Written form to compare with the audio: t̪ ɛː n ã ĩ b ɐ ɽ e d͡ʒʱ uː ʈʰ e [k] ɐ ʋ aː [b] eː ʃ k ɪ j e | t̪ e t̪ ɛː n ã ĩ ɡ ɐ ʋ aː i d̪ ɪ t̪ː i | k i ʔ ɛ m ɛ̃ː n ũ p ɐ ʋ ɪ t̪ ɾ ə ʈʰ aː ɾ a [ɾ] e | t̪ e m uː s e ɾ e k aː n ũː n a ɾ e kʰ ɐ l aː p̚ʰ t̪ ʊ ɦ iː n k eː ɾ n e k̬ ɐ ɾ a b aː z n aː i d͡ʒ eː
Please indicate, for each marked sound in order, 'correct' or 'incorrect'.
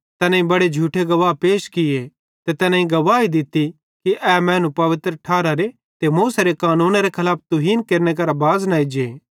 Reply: incorrect: ɡ, incorrect: p, correct

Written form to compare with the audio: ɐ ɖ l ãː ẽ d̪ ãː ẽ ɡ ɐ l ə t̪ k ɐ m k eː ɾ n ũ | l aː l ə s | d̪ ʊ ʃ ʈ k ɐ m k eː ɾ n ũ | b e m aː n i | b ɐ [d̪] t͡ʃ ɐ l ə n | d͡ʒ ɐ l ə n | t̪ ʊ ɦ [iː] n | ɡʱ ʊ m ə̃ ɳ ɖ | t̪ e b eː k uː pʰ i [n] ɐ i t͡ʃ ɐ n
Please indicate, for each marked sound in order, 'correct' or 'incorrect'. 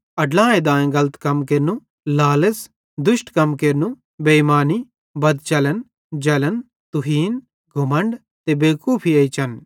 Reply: correct, correct, incorrect: none

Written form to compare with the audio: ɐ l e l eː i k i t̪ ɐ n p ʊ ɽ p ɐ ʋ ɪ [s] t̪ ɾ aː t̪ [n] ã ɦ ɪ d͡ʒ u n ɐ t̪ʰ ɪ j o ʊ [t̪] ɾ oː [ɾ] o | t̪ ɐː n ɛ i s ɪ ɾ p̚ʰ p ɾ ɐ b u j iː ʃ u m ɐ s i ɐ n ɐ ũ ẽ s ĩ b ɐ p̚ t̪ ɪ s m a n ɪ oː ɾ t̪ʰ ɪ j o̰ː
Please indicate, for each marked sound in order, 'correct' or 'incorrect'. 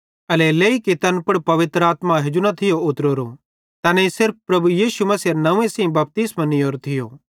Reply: incorrect: none, incorrect: m, correct, correct

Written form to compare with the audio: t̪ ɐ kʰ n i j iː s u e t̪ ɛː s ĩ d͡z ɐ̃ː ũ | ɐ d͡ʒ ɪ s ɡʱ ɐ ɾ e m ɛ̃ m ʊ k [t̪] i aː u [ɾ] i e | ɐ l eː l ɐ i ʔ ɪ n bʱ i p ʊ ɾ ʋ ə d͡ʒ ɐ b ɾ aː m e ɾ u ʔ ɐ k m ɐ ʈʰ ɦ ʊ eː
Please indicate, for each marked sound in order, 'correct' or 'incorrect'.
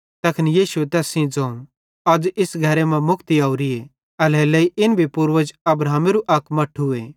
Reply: correct, correct

